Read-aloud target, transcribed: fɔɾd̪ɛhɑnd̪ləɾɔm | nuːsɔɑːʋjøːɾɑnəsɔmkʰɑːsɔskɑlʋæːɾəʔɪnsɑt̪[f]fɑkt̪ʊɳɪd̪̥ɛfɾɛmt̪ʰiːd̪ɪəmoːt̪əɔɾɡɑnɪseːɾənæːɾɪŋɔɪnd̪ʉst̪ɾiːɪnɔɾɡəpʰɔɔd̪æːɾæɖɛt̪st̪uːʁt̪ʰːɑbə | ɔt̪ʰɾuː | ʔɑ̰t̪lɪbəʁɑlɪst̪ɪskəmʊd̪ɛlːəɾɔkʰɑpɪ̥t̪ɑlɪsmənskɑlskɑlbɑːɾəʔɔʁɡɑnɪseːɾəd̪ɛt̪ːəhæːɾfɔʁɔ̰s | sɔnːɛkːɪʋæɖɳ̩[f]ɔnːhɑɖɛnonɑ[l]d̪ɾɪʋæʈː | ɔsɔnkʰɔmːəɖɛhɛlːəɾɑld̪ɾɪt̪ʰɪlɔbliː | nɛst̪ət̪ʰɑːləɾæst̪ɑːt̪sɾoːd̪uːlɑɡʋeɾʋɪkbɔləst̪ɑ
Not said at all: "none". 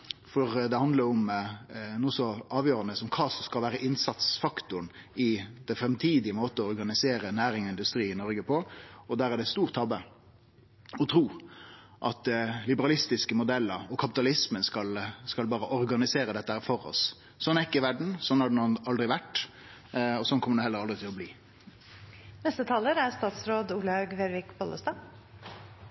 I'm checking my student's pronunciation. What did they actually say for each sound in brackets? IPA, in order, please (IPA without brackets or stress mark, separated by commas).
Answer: s, s, l